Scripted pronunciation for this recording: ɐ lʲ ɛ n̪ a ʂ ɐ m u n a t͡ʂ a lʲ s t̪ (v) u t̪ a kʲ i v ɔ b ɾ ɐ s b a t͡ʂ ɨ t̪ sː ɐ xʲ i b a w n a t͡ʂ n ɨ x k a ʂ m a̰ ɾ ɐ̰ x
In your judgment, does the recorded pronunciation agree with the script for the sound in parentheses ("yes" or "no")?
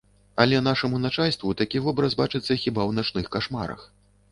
yes